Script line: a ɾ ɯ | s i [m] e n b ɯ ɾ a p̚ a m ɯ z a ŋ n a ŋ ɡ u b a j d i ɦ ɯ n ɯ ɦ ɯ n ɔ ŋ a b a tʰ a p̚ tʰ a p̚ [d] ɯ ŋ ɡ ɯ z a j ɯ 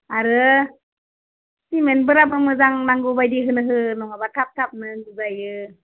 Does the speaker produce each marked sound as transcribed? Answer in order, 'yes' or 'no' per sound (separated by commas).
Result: yes, no